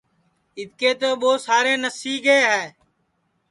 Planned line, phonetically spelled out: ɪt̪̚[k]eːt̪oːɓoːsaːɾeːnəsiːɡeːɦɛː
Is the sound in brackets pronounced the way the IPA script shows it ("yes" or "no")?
yes